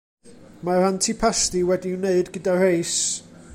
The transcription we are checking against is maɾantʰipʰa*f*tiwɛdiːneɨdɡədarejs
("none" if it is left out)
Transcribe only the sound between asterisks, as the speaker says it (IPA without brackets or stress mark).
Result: s